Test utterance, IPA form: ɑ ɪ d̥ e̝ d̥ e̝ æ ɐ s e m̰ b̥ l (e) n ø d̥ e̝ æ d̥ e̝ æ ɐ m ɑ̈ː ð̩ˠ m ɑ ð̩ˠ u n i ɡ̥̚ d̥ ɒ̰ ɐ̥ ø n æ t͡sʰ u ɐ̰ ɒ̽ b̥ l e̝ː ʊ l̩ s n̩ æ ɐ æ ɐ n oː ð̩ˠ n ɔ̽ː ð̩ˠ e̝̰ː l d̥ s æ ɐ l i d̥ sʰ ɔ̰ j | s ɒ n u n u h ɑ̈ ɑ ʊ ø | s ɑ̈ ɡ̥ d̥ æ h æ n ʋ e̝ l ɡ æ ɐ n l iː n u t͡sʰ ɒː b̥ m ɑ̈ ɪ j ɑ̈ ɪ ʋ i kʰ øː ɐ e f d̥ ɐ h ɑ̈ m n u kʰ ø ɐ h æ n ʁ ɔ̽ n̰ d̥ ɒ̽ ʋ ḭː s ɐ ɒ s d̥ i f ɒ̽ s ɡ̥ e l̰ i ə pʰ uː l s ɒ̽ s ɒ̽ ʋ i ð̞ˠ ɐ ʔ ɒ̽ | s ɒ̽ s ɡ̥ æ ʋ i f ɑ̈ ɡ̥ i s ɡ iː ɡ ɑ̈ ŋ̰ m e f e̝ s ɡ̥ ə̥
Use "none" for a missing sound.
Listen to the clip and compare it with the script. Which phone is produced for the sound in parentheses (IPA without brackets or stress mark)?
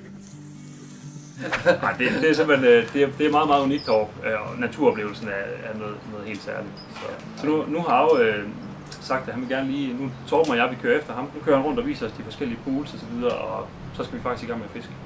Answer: e